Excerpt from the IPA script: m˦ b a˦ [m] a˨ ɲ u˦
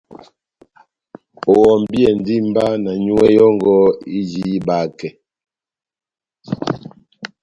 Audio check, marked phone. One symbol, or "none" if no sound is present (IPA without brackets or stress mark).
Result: n